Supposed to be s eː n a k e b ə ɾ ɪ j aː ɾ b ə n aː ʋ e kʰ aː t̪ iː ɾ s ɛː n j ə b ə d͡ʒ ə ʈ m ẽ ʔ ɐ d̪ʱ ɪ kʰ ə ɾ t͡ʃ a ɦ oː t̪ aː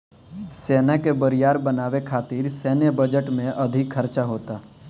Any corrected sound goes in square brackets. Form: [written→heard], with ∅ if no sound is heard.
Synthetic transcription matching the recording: s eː n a k e b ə ɾ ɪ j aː ɾ b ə n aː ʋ e kʰ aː t̪ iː ɾ s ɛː n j ə b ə d͡ʒ ə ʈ m ẽ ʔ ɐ d̪ʱ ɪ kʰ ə ɾ t͡ʃ a ɦ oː t̪ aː